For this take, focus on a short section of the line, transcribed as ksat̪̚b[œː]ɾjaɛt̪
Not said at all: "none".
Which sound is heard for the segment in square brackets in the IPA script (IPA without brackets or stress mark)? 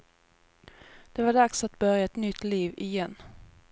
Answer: œ